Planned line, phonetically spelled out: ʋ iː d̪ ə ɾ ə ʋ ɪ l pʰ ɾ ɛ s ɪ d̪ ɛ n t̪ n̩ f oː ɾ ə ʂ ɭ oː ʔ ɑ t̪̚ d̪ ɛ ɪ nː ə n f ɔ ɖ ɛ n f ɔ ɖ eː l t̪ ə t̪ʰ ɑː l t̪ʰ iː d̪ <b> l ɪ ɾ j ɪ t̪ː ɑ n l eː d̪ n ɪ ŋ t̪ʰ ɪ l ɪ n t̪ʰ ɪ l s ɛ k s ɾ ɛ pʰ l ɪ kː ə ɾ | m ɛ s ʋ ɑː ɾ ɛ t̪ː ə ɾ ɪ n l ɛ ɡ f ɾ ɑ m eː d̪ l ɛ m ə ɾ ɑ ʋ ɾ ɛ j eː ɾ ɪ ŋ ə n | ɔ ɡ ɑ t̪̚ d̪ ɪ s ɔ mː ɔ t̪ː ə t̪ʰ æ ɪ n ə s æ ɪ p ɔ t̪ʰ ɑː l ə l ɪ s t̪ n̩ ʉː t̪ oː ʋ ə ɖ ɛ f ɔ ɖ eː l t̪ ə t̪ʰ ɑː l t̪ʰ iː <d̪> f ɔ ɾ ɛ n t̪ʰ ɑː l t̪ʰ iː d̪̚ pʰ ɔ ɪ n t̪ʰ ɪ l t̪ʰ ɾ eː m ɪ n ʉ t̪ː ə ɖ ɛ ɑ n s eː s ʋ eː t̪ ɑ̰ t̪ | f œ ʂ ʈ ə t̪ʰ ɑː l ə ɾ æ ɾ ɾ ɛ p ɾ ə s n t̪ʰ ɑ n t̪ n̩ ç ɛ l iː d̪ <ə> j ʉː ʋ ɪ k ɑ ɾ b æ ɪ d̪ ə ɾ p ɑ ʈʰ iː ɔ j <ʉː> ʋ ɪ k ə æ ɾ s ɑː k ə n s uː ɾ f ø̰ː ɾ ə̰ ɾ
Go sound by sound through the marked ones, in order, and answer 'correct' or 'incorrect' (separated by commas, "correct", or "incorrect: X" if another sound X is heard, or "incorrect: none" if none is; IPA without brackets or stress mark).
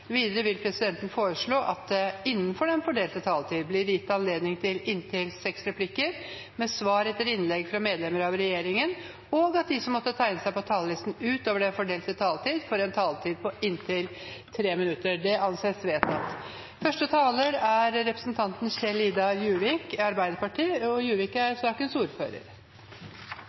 correct, correct, incorrect: ɑ, correct